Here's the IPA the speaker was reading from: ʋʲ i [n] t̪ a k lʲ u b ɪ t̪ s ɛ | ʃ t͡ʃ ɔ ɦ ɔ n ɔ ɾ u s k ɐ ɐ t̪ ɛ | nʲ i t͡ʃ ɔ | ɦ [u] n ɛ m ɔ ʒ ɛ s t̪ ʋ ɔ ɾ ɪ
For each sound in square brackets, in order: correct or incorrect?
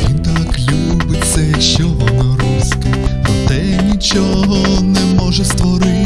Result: correct, incorrect: ɔ

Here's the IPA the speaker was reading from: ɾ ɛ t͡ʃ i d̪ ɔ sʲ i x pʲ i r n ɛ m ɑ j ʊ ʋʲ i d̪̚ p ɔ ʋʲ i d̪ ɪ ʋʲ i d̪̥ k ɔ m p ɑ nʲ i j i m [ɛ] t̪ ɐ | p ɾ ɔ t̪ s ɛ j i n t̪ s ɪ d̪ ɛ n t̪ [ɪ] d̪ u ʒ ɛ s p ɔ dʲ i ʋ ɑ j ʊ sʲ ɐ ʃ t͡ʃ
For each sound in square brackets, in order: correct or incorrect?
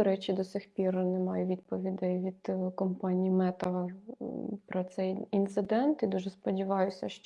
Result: correct, incorrect: i

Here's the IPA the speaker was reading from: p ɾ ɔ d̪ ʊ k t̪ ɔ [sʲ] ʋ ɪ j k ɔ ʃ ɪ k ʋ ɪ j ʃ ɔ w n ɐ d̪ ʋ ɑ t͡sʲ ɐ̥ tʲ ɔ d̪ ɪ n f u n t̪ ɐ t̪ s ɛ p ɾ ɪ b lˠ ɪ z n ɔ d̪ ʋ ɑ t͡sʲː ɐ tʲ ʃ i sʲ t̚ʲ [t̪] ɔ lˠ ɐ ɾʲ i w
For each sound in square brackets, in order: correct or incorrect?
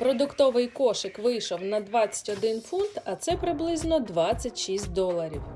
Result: incorrect: none, incorrect: d̪

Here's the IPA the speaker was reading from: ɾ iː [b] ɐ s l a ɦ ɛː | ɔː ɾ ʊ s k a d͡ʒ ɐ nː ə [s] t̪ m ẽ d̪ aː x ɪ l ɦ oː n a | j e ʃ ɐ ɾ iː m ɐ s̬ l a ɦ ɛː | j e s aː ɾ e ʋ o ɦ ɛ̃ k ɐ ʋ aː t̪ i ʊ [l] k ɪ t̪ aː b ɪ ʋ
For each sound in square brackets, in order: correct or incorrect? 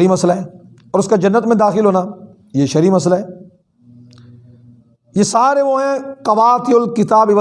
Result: incorrect: m, incorrect: none, correct

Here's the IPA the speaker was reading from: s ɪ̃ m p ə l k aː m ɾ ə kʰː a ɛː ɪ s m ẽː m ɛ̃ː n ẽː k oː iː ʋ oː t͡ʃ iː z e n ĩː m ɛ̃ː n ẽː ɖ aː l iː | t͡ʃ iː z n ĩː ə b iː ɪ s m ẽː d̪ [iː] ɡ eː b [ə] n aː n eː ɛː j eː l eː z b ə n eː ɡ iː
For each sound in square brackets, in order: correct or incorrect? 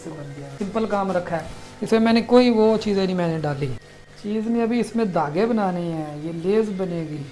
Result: incorrect: aː, correct

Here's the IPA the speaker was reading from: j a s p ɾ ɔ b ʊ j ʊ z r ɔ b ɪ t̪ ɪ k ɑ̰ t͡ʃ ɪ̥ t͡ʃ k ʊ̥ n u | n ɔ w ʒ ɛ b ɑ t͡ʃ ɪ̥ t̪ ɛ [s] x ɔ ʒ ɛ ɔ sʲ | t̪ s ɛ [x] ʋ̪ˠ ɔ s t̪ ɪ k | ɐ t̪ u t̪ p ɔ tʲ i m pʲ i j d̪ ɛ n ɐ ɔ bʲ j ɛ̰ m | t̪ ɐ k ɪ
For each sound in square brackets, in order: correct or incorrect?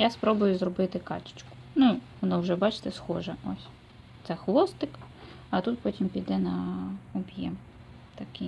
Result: correct, correct

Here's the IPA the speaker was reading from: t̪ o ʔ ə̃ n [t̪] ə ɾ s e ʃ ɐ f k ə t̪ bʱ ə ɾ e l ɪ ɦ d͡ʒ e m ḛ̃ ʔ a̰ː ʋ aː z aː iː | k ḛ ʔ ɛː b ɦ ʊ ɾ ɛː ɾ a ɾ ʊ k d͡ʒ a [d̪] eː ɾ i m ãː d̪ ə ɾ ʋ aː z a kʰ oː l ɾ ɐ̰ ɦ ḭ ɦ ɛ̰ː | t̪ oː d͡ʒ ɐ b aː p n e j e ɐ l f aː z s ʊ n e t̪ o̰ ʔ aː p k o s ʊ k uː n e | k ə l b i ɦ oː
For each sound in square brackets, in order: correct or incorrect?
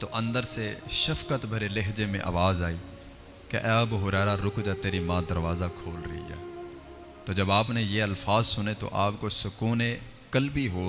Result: incorrect: d̪, incorrect: t̪

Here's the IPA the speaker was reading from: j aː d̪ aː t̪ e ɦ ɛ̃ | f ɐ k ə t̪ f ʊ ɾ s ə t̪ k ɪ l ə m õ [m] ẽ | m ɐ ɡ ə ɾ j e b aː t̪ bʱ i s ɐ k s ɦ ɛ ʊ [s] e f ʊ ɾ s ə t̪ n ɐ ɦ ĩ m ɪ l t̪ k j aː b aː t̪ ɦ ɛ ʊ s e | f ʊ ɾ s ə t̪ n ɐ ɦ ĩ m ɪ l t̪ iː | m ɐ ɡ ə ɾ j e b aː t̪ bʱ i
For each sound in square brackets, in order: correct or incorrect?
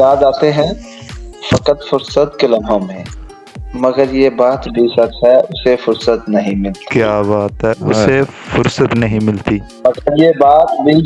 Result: correct, correct

